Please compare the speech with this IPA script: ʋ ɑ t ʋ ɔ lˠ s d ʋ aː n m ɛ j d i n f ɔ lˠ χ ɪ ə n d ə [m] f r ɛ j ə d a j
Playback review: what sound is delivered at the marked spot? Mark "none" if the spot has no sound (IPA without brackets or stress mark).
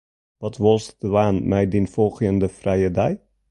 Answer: none